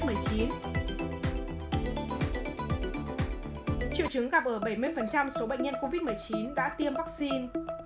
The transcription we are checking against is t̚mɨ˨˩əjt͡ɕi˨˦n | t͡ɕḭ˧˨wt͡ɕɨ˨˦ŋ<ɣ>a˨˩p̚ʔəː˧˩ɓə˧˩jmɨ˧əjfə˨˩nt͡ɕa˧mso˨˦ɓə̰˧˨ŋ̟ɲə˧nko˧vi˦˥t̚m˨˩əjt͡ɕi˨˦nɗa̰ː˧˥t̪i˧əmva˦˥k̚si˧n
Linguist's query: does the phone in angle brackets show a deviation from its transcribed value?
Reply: no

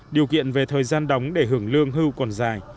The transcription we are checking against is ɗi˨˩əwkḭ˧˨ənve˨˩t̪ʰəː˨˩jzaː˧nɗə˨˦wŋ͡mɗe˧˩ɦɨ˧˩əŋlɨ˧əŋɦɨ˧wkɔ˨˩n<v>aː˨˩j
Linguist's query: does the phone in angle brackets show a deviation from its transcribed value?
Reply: yes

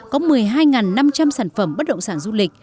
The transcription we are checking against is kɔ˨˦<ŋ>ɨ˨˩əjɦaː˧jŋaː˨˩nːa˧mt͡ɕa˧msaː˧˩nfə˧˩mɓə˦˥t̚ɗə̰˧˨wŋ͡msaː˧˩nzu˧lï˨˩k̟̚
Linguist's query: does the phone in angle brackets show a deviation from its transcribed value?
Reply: yes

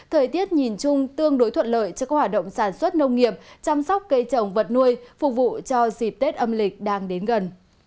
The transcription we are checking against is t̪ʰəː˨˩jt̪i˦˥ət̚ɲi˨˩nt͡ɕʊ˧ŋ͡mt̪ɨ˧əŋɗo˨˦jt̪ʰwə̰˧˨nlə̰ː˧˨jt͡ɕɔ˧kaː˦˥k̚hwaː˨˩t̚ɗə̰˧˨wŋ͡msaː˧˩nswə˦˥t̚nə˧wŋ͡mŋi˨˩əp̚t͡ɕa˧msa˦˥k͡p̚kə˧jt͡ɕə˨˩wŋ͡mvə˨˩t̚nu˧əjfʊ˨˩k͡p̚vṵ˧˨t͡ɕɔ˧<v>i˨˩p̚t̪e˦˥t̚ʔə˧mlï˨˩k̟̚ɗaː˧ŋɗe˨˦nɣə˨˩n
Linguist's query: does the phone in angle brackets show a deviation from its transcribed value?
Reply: yes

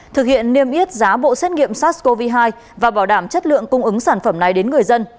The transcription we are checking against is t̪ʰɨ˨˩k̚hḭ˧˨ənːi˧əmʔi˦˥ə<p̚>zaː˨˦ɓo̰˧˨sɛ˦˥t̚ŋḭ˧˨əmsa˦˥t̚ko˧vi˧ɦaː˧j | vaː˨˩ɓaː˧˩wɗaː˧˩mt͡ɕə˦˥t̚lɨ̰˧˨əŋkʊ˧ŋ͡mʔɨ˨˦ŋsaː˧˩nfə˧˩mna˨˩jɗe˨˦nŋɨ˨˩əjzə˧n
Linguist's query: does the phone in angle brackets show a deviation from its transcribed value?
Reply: yes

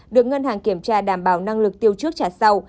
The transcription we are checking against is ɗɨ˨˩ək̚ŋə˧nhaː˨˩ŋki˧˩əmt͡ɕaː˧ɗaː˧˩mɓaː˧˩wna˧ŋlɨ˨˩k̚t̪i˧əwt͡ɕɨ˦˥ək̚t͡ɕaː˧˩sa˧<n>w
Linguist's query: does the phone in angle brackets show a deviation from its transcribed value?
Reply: yes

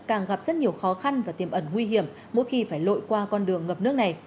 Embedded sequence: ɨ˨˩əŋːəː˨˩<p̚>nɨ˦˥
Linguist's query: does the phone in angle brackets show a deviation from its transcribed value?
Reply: no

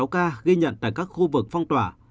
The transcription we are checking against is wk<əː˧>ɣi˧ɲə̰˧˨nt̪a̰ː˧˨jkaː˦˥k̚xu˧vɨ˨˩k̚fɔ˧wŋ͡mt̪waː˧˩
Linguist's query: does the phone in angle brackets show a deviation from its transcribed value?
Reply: yes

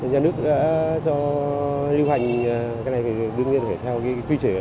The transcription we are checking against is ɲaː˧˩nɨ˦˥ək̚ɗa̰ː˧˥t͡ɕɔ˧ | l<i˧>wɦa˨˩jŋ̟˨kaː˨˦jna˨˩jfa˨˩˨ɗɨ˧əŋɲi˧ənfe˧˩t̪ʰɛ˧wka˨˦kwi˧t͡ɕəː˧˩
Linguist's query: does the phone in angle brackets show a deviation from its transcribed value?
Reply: no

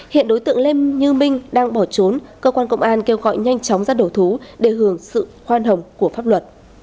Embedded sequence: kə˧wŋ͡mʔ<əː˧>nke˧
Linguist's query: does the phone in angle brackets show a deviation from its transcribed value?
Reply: yes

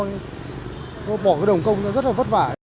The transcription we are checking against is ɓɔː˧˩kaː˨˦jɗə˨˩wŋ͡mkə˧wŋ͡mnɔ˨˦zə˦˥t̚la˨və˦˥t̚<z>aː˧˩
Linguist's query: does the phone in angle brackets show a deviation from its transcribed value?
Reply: yes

